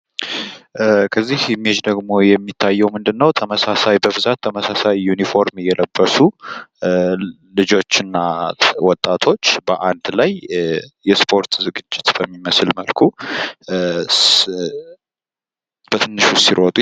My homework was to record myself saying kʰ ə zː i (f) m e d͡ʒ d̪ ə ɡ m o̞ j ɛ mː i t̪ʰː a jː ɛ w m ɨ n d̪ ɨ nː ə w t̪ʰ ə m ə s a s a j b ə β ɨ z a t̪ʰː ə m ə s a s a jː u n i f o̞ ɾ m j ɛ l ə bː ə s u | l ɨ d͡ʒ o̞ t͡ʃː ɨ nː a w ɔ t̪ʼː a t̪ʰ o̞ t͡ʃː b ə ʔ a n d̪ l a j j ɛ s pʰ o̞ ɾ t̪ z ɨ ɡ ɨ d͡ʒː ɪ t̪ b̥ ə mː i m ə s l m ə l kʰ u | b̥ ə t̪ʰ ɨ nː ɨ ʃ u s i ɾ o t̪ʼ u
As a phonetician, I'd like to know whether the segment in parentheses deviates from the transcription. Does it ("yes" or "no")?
yes